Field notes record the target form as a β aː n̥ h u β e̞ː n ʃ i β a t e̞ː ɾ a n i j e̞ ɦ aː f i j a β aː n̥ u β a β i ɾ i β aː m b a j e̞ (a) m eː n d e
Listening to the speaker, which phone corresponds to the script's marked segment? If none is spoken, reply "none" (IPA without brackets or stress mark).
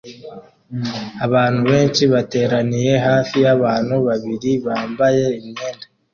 i